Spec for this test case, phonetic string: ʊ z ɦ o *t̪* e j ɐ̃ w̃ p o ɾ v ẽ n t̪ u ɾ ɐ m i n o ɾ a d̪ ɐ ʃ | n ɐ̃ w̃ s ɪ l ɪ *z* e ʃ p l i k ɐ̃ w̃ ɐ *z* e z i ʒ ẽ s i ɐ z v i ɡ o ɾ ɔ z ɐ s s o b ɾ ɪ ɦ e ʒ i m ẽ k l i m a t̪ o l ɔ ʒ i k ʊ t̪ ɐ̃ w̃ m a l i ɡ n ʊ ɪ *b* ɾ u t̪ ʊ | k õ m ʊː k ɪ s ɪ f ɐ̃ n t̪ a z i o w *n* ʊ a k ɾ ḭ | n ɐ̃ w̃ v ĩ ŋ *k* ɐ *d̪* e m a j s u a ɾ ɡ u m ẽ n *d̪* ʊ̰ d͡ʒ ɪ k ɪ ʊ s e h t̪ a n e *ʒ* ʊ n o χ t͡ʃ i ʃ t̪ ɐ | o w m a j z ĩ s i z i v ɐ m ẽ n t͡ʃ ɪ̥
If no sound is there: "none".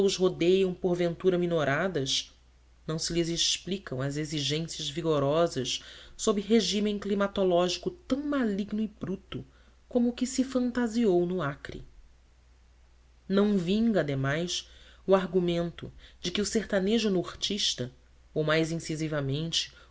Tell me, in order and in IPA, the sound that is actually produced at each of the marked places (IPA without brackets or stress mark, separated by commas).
d̪, z, z, b, n, ɡ, d̪, t̪, ʒ